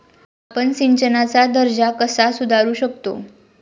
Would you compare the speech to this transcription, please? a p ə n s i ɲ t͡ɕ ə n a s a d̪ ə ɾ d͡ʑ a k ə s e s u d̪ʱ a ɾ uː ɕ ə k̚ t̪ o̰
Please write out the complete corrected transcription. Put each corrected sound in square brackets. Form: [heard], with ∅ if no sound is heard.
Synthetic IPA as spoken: a p ə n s i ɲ t͡ɕ ə n a [t͡s] a d̪ ə ɾ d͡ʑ a k ə s [a] s u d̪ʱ a ɾ uː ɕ ə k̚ t̪ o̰